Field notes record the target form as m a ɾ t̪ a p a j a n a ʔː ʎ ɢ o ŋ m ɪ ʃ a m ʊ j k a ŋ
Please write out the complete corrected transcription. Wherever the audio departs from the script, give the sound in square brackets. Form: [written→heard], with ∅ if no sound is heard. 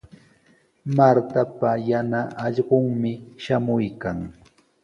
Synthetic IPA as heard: m a ɾ t̪ a p a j a n a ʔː ʎ ɢ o ŋ m ɪ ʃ a m ʊ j k a ŋ

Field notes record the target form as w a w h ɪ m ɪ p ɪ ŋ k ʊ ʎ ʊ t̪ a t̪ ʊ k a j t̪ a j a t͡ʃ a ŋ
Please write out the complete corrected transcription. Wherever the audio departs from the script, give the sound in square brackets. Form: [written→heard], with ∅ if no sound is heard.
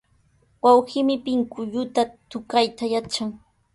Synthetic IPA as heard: w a w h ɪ m ɪ p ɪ ŋ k ʊ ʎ ʊ t̪ a t̪ ʊ k a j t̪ a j a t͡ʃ a ŋ

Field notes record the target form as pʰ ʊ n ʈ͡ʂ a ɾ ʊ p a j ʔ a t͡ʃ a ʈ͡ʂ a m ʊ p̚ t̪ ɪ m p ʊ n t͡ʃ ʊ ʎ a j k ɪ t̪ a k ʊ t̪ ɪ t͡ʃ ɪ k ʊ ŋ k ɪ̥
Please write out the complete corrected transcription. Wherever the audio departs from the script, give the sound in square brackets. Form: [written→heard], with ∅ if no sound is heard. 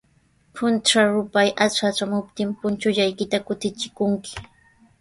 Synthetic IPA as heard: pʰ ʊ n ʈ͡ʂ a ɾ ʊ p a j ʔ a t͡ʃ a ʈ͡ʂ a m ʊ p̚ t̪ ɪ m p ʊ n t͡ʃ ʊ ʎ a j k ɪ t̪ a k ʊ t̪ ɪ t͡ʃ ɪ k ʊ ŋ k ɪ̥

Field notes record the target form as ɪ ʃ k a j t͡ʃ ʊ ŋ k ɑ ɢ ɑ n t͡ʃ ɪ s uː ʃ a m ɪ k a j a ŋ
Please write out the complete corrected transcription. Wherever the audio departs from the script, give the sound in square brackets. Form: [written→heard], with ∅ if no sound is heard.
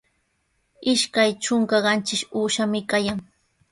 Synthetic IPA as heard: ɪ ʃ k a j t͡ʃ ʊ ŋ k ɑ ɢ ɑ n t͡ʃ ɪ [s→ʃ] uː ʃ a m ɪ k a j a ŋ

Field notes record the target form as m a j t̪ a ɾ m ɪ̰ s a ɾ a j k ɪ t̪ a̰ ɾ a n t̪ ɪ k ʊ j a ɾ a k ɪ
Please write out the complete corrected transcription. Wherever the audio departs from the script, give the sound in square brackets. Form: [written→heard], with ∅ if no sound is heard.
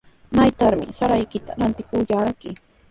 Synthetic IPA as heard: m a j t̪ a ɾ m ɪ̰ s a ɾ a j k ɪ t̪ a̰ ɾ a n t̪ ɪ k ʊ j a ɾ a k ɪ

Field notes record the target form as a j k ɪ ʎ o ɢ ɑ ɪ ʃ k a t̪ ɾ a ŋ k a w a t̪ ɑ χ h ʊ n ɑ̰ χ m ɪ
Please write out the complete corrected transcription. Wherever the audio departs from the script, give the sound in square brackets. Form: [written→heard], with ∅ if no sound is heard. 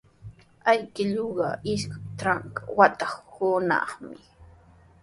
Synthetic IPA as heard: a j k ɪ ʎ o ɢ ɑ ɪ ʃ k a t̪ ɾ a ŋ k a w a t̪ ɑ χ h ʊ n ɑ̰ χ m ɪ

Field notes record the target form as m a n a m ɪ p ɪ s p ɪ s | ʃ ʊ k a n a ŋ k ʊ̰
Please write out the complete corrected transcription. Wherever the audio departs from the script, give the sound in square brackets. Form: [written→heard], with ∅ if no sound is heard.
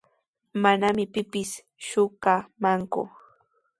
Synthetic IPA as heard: m a n a m ɪ p ɪ [s→∅] p ɪ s | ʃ ʊ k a [n→m] a ŋ k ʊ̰

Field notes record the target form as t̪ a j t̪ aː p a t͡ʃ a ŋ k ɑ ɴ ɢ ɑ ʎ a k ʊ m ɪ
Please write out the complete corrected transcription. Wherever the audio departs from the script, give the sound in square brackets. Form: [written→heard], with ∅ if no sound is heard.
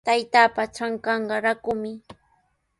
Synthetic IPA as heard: t̪ a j t̪ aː p a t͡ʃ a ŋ k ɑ ɴ ɢ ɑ [ʎ→ɾ] a k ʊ m ɪ

